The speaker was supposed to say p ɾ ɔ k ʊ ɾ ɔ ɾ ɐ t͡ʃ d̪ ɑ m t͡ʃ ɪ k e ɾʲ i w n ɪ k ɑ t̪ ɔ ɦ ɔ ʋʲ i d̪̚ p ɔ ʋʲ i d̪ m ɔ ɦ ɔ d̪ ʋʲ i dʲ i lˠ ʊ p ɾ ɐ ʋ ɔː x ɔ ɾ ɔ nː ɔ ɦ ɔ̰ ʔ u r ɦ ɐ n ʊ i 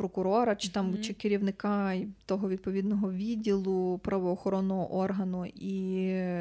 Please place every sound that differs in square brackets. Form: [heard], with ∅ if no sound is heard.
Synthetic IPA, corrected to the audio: p ɾ ɔ k ʊ ɾ ɔ ɾ ɐ t͡ʃ [t̪] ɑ m t͡ʃ ɪ k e ɾʲ i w n ɪ k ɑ t̪ ɔ ɦ ɔ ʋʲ i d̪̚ p ɔ ʋʲ i d̪ [n] ɔ ɦ ɔ [∅] ʋʲ i dʲ i lˠ ʊ p ɾ ɐ ʋ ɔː x ɔ ɾ ɔ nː ɔ ɦ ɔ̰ ʔ [ɔ] r ɦ ɐ n ʊ i